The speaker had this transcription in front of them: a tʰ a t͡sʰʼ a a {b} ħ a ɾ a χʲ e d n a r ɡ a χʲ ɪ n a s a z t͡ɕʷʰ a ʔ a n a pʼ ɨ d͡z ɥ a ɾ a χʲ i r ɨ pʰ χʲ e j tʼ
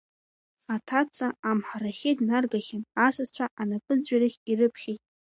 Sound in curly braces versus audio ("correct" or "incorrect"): incorrect